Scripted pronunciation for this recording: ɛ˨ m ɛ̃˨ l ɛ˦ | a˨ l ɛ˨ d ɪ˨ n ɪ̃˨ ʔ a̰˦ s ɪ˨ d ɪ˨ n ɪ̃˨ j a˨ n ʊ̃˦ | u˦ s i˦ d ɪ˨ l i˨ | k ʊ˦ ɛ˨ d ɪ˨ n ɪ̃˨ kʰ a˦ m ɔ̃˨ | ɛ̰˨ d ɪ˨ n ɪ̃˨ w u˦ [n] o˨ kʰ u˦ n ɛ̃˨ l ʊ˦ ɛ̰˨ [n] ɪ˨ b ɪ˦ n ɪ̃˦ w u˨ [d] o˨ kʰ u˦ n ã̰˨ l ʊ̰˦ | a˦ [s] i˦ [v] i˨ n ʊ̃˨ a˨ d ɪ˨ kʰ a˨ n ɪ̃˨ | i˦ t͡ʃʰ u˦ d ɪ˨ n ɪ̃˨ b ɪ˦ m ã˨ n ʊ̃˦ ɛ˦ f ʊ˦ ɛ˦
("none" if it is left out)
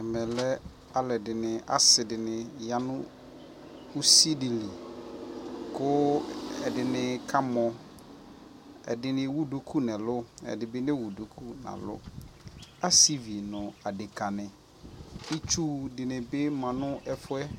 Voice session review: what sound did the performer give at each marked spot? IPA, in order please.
d, d, d, s, v

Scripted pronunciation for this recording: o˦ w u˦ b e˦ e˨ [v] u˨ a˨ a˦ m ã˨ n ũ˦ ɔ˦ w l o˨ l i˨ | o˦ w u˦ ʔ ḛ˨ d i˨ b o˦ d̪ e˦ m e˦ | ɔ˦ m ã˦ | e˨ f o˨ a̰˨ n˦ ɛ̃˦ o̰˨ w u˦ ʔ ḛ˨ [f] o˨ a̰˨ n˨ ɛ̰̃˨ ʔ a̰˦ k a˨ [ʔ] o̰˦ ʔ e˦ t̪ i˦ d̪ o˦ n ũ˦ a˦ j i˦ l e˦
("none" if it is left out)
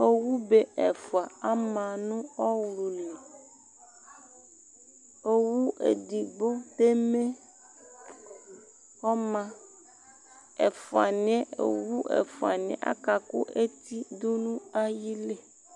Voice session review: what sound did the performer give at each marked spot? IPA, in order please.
f, f, k

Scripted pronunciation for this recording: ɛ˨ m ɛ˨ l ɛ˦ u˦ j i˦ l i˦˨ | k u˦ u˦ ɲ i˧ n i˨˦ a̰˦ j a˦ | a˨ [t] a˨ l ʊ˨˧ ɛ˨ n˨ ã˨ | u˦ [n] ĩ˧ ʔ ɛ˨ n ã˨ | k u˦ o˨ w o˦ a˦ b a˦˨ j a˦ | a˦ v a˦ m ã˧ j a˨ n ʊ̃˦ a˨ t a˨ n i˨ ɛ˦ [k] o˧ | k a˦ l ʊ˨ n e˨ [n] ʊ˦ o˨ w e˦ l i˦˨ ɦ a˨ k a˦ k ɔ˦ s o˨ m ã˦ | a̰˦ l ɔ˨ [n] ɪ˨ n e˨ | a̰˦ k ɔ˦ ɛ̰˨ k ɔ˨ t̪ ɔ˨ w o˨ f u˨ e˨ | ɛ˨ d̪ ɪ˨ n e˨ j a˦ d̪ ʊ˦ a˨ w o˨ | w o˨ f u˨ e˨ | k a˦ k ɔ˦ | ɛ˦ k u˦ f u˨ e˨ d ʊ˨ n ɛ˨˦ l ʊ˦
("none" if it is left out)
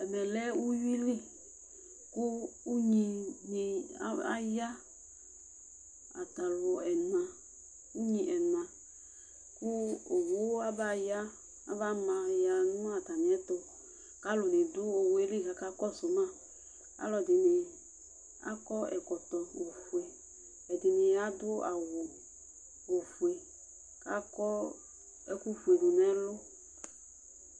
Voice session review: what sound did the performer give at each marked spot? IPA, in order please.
t, ɲ, t, d, d

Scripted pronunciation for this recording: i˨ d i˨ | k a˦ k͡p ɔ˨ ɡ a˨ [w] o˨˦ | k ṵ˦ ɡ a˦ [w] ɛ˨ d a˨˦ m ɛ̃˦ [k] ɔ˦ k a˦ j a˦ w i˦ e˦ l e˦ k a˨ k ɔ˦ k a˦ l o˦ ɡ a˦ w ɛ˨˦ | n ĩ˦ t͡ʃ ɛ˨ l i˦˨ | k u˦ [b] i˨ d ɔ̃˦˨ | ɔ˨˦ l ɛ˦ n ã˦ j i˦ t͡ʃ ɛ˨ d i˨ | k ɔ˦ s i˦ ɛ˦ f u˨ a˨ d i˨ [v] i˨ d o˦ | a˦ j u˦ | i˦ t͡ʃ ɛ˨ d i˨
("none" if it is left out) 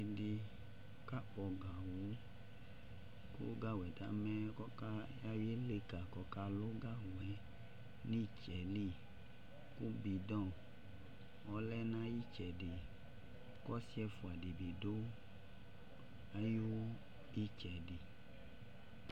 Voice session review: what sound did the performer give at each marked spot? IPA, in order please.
w, w, k, b, b

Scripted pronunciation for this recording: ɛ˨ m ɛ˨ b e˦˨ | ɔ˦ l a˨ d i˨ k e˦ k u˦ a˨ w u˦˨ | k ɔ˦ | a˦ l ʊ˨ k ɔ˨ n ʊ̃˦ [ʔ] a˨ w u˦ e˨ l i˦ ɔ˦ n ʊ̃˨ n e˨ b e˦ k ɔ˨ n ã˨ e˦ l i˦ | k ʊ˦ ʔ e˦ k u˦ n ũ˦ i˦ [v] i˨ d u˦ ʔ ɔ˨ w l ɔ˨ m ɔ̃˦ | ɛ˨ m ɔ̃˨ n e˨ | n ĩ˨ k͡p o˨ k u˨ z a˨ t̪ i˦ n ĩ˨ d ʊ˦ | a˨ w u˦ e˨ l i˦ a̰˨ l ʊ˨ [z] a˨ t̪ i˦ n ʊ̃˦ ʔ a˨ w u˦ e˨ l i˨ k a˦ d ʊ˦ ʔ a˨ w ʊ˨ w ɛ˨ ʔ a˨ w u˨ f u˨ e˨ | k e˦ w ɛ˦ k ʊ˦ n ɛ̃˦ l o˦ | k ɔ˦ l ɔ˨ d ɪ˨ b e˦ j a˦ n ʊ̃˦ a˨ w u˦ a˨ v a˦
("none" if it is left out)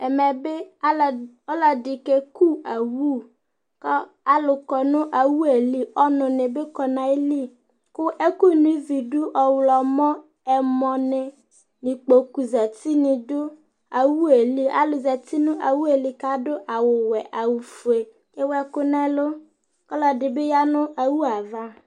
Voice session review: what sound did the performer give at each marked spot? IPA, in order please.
ʔ, v, z

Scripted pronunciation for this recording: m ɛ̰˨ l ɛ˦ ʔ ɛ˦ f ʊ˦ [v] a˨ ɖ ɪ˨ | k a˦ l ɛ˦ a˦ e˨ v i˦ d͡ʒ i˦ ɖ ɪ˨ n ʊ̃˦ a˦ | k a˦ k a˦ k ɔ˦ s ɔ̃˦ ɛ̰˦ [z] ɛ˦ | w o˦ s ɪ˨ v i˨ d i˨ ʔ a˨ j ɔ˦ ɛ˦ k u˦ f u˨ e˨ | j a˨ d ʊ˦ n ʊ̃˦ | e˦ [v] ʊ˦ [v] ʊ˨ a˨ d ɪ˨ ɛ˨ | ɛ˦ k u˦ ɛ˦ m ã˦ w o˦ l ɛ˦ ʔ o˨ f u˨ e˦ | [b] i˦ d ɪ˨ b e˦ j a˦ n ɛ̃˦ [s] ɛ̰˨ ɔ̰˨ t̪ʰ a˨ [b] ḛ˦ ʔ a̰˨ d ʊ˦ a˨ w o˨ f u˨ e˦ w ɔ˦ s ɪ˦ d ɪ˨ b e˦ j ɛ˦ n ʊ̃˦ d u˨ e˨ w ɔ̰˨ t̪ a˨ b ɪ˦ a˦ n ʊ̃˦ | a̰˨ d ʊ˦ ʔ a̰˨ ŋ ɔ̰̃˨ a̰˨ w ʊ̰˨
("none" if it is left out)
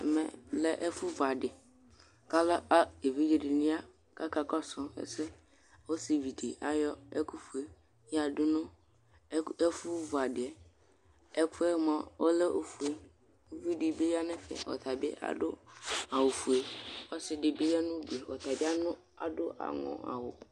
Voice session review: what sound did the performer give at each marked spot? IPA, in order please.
v, s, f, v, v, f, b

